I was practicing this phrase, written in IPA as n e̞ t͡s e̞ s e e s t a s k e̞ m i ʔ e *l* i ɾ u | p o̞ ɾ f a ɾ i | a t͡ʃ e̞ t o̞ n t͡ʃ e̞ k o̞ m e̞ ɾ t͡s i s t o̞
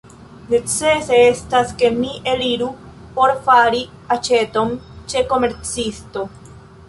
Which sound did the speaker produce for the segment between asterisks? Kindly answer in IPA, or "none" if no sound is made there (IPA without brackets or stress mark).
l